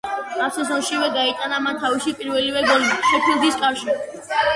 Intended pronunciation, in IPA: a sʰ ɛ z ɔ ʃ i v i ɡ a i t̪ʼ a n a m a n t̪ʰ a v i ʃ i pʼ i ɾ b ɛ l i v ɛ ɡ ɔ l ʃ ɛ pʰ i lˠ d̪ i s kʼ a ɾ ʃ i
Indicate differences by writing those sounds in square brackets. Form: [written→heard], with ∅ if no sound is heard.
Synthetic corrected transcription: a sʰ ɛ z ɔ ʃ i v [i→ɛ] ɡ a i t̪ʼ a n a m a n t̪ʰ a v i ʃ i pʼ i ɾ [b→v] ɛ l i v ɛ ɡ ɔ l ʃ ɛ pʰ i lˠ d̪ i s kʼ a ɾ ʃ i